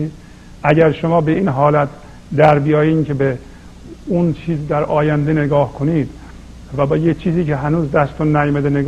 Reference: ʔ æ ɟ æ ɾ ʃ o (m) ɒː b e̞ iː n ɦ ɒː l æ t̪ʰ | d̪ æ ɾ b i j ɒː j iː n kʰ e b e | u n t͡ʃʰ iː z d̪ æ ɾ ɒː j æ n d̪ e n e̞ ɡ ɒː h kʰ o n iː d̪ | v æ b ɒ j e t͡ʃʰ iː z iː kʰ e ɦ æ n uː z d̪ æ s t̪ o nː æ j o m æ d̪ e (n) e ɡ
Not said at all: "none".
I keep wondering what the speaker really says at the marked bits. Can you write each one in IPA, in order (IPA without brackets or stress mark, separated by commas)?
m, n